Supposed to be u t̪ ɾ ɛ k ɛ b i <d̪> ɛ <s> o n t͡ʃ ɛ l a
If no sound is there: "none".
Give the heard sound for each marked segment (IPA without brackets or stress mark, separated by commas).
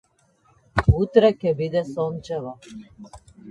d̪, s